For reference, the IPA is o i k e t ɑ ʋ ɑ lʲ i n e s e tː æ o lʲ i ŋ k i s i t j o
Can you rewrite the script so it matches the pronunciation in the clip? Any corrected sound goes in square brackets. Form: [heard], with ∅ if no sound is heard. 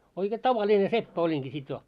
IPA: o i k e t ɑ ʋ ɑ lʲ i n e s e [pː] æ o lʲ i ŋ k i s i t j o